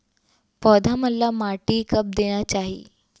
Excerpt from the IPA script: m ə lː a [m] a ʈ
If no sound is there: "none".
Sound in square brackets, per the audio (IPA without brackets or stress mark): m